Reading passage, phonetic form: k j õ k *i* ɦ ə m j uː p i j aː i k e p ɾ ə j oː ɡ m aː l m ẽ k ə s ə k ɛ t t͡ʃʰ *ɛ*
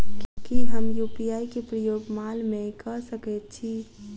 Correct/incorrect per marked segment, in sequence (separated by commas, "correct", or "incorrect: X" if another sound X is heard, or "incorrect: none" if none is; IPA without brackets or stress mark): correct, incorrect: i